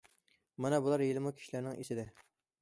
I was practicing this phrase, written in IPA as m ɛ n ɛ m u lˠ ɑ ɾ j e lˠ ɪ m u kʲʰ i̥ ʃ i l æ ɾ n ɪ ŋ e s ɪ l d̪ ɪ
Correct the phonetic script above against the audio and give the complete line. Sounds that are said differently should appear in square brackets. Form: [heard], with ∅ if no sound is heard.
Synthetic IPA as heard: m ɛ n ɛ [b] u lˠ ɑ ɾ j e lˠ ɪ m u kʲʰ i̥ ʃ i l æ ɾ n ɪ ŋ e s ɪ [∅] d̪ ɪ